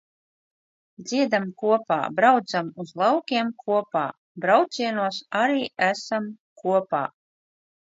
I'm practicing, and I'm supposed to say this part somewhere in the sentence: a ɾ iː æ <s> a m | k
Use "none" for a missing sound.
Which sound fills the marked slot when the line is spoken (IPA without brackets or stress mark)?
s